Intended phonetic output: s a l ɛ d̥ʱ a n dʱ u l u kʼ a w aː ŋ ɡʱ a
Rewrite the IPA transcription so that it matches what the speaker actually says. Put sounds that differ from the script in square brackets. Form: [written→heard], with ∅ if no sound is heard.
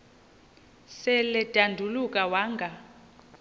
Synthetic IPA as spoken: s [a→ɛ] l ɛ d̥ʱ a n dʱ u l u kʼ a w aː ŋ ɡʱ a